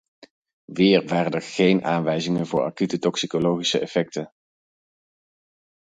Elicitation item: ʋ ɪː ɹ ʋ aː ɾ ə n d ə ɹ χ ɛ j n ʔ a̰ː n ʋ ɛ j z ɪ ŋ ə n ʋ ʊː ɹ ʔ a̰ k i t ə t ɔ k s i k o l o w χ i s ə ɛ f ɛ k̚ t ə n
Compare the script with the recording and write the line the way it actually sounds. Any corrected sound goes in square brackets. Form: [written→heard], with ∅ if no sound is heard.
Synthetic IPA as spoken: ʋ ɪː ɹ ʋ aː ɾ ə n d ə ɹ χ [ɛ→e] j n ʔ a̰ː n ʋ ɛ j z ɪ ŋ ə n [ʋ→v] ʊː ɹ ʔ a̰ k [i→y] t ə t ɔ k s i k o l o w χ i s ə ɛ f ɛ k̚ t ə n